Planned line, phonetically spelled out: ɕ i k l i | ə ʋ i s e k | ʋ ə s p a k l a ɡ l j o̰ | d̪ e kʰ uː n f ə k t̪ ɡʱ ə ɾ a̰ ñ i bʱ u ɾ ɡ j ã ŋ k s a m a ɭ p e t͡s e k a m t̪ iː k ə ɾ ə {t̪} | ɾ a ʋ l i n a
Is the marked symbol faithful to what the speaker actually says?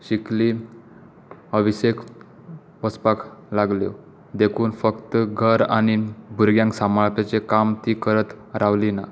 yes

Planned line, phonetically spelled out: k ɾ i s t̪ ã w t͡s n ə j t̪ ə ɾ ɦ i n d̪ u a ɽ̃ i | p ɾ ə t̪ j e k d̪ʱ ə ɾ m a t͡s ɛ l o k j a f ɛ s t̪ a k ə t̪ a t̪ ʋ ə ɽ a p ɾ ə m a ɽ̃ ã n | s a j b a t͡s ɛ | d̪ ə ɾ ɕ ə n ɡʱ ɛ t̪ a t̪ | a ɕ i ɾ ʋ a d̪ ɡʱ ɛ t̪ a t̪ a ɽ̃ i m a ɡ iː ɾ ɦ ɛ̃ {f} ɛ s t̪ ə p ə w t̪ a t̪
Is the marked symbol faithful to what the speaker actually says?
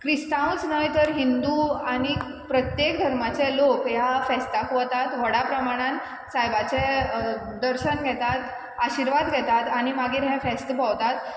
yes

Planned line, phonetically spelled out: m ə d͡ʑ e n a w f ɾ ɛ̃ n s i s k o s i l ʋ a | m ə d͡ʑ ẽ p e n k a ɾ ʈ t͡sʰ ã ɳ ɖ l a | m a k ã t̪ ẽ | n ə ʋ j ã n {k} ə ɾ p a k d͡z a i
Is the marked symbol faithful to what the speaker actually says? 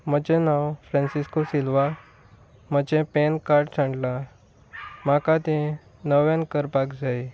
yes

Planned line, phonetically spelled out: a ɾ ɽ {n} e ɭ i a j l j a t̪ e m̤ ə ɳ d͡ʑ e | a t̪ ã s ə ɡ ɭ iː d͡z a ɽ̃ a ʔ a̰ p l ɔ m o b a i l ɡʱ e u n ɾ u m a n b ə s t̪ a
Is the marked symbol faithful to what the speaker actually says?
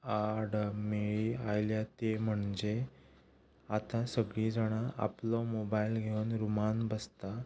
no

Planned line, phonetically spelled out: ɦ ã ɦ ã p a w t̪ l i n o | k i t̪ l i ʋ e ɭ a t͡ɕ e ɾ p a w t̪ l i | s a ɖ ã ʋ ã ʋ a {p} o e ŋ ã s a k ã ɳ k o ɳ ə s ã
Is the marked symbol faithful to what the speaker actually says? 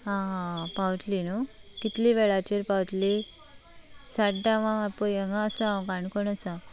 yes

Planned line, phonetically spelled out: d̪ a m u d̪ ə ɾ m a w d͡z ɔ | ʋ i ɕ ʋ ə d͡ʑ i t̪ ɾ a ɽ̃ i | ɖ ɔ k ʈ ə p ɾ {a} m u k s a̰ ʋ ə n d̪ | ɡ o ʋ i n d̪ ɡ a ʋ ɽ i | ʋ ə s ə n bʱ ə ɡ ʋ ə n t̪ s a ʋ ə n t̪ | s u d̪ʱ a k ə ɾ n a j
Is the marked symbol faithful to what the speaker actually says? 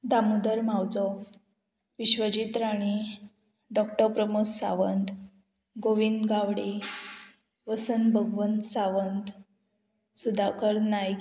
no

